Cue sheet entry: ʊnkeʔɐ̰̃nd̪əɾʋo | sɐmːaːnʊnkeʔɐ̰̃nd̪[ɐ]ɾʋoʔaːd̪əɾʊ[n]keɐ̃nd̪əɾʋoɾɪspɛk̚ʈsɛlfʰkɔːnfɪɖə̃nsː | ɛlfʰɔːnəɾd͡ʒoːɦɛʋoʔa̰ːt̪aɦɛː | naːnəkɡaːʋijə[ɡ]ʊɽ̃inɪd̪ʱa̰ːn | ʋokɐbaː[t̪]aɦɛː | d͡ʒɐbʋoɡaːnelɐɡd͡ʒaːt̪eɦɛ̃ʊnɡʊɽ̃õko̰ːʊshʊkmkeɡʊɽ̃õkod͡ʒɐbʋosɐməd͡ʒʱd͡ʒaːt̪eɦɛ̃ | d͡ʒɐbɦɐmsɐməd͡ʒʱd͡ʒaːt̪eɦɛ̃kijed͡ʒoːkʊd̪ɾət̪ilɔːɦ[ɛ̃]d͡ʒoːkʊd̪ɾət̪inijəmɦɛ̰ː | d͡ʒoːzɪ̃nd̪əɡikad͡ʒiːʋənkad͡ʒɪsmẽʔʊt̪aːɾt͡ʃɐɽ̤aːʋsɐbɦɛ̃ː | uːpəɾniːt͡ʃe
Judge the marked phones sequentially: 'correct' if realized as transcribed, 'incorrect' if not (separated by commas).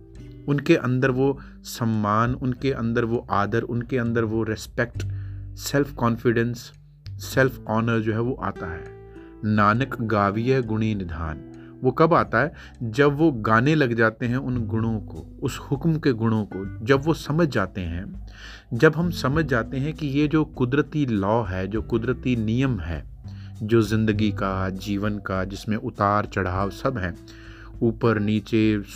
incorrect, correct, correct, correct, incorrect